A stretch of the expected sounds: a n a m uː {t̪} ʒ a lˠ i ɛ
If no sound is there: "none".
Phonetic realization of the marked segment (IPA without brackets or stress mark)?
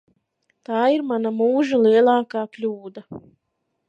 none